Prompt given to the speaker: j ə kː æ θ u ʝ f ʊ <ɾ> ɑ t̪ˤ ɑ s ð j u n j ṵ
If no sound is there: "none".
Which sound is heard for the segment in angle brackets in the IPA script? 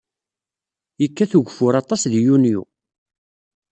ɾ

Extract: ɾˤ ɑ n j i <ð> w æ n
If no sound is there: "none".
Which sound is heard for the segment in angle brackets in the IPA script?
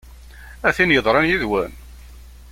ð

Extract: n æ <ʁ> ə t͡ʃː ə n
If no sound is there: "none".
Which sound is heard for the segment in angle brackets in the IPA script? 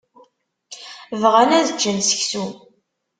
ð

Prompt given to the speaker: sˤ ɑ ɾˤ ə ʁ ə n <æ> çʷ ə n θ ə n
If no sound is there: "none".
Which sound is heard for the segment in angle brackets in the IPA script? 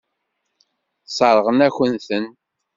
æ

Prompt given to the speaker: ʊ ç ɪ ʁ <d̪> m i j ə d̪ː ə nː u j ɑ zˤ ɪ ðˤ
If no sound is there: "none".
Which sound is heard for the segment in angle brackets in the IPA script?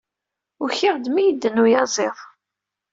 d̪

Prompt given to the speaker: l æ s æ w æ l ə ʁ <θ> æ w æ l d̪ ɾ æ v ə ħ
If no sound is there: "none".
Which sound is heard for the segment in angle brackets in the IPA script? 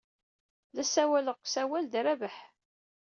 s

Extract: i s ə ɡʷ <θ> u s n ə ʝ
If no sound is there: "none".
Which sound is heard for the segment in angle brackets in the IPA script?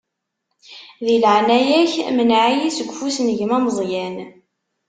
f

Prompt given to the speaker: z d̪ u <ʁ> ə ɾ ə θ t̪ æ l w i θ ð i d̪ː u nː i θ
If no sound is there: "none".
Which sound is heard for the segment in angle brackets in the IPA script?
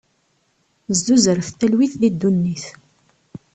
z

